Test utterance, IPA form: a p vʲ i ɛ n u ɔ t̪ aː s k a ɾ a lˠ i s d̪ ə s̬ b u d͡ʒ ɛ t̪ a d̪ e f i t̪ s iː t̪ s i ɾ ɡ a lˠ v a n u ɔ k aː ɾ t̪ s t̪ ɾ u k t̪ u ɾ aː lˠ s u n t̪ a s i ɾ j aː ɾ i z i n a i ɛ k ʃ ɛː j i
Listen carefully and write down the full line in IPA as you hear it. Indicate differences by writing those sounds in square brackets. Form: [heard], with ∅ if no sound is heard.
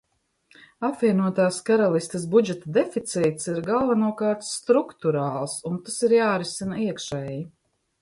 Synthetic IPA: a p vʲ i ɛ n u ɔ t̪ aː s k a ɾ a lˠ i s [t̪] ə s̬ b u d͡ʒ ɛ t̪ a d̪ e f i t̪ s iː t̪ s i ɾ ɡ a lˠ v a n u ɔ k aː ɾ t̪ s t̪ ɾ u k t̪ u ɾ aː lˠ s u n t̪ a s i ɾ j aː ɾ i [s] i n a i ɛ k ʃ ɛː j i